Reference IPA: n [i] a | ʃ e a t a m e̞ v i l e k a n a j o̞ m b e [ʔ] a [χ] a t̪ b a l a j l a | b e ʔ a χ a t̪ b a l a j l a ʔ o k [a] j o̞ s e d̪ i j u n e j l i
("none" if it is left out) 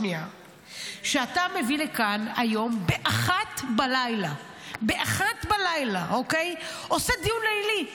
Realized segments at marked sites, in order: i, ʔ, χ, e

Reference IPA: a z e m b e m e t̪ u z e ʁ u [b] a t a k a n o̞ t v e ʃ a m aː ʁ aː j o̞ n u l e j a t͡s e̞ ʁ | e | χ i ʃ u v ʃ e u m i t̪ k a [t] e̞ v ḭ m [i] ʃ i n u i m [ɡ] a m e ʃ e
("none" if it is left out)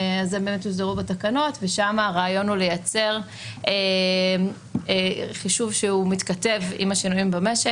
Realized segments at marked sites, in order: b, t, a, b

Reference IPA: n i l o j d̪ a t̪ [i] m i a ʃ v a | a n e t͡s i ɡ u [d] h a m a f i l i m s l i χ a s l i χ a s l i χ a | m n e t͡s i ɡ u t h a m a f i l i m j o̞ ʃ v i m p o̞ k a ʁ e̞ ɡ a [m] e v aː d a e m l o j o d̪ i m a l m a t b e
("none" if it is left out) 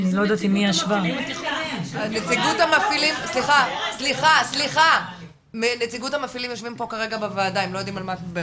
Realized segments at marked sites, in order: i, t, b

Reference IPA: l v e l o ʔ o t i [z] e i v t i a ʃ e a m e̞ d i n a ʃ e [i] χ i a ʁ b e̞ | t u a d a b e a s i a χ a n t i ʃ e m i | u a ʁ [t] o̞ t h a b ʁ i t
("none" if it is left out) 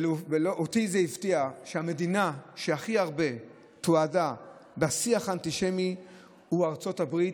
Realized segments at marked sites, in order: z, a, t͡s

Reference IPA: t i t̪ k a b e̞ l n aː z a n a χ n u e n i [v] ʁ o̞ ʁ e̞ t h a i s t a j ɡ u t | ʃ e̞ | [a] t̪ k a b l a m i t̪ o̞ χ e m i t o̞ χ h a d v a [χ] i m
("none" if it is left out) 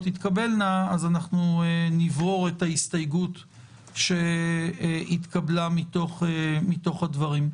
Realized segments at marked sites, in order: v, i, ʁ

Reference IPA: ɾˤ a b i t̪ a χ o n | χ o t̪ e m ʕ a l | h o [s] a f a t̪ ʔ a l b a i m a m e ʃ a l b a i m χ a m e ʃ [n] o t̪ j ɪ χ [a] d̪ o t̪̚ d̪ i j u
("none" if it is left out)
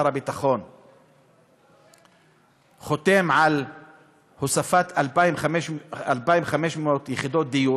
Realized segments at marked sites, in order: s, m, i

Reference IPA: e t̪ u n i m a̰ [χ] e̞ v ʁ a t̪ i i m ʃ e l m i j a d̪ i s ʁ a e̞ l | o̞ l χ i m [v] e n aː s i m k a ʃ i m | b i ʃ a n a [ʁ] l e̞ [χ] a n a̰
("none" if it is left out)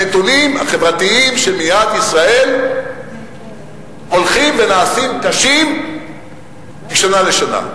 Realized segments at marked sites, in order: χ, v, none, ʃ

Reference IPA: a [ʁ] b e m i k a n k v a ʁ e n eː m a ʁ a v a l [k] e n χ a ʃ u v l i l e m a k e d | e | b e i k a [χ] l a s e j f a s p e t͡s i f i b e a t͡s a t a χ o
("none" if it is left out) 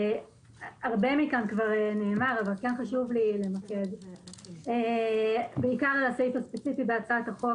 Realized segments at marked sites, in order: ʁ, k, ʁ

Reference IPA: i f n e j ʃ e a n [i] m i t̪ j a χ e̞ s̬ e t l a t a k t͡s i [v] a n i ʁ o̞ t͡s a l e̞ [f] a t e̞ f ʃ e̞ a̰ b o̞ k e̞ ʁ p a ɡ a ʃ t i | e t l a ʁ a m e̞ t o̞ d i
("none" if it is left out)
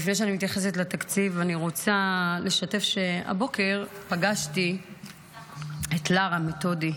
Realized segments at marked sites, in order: i, v, ʃ

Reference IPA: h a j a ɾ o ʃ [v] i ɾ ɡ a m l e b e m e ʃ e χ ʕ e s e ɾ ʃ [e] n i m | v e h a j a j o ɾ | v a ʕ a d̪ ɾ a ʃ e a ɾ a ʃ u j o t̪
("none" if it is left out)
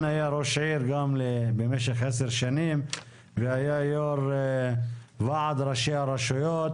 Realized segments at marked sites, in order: ʕ, a

